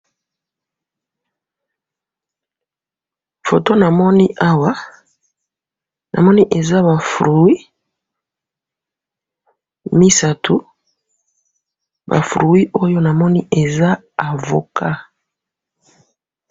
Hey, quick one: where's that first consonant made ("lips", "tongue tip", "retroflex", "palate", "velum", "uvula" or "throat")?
lips